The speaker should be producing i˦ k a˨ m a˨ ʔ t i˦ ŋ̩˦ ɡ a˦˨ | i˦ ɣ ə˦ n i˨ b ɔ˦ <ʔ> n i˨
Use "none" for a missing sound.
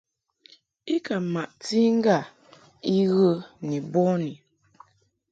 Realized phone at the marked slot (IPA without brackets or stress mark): none